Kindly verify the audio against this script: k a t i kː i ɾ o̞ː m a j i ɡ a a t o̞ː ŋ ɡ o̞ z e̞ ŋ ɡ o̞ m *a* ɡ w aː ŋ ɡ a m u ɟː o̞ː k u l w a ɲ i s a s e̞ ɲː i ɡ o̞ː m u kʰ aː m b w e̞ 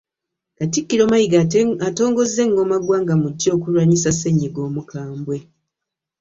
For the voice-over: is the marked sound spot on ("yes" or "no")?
yes